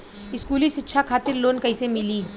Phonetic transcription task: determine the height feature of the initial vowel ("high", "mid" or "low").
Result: high